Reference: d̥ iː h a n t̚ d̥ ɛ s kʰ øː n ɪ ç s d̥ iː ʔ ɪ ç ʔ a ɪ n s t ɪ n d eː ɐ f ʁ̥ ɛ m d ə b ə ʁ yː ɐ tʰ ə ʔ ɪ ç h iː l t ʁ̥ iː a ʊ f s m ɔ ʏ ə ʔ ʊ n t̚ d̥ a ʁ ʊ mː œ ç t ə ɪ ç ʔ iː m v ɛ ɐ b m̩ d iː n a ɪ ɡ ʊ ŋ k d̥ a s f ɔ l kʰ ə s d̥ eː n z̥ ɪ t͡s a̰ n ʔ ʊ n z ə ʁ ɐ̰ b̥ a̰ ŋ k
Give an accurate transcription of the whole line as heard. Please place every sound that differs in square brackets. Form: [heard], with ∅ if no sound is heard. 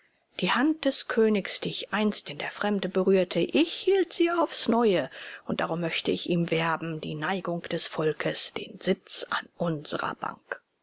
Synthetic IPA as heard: d̥ iː h a n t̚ d̥ ɛ s kʰ øː n ɪ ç s d̥ iː [∅] ɪ ç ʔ a ɪ n s t ɪ n d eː ɐ f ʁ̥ ɛ m d ə b ə ʁ yː ɐ tʰ ə ʔ ɪ ç h iː l t [z̥] iː a ʊ f s [n] ɔ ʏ ə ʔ ʊ n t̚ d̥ a ʁ ʊ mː œ ç t ə ɪ ç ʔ iː m v ɛ ɐ b m̩ d iː n a ɪ ɡ ʊ ŋ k d̥ [ɛ] s f ɔ l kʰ ə s d̥ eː n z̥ ɪ t͡s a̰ n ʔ ʊ n z ə ʁ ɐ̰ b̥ a̰ ŋ k